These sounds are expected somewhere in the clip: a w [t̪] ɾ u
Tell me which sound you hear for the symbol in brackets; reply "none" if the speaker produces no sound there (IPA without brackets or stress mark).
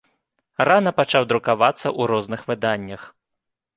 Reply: d̪